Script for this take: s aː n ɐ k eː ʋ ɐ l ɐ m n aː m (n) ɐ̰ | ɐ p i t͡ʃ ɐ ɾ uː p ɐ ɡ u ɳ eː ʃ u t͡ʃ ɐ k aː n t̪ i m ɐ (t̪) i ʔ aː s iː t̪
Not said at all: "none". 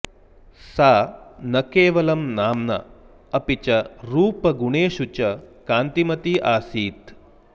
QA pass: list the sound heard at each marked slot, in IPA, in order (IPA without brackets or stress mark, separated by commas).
n, t̪